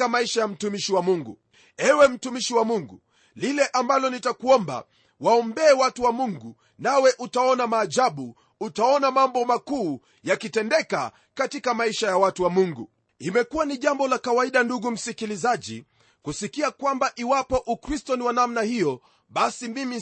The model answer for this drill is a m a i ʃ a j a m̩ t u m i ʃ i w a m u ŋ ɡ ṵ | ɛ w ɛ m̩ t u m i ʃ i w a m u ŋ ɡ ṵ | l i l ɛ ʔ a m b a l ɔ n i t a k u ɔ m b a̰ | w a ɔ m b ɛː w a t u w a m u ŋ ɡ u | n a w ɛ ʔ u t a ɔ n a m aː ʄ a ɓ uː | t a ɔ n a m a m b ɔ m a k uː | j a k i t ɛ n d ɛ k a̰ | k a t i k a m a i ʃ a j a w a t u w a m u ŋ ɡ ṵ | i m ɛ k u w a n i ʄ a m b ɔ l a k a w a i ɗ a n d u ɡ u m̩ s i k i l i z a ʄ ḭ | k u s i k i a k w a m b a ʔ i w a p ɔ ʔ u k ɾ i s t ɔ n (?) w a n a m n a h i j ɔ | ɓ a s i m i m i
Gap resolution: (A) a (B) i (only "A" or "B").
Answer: B